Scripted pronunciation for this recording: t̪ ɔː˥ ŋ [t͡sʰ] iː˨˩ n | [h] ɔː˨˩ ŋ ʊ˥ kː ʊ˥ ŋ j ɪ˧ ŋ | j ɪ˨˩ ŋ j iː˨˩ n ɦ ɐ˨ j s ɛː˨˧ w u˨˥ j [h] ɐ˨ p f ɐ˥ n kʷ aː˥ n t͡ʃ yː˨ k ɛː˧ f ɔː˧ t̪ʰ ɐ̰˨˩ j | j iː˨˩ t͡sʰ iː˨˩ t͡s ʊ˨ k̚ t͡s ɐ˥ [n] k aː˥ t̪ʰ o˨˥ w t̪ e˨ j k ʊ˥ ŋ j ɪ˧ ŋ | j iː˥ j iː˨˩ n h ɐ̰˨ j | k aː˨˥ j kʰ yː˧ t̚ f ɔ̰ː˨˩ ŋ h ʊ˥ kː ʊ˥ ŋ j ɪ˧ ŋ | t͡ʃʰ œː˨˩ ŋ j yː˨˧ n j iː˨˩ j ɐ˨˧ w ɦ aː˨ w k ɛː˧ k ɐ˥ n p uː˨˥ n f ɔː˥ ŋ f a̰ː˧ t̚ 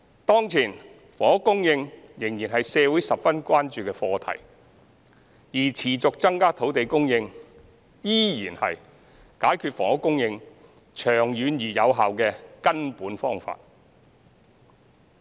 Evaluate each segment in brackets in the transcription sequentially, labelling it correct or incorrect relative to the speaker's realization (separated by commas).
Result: correct, incorrect, incorrect, incorrect